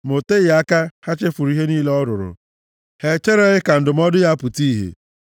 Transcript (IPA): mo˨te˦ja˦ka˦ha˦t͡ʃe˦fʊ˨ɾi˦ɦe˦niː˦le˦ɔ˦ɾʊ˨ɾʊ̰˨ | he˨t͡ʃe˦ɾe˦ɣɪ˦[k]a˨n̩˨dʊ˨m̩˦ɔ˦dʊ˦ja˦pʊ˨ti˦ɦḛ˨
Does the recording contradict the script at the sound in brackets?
no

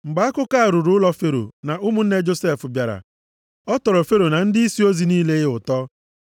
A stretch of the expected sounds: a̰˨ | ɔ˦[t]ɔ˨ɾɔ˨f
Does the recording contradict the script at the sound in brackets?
no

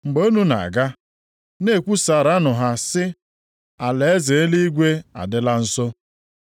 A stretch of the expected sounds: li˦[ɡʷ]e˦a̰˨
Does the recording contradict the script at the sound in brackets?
no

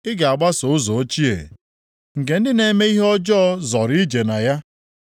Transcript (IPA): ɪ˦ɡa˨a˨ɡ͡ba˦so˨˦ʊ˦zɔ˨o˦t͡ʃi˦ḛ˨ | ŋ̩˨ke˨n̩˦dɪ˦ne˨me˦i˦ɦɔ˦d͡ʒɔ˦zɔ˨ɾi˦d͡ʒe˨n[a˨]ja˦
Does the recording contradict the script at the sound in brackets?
no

